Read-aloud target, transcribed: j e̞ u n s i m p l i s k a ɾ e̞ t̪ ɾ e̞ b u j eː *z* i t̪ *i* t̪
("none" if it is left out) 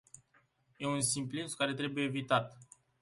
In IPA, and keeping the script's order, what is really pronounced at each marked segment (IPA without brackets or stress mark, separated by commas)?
v, a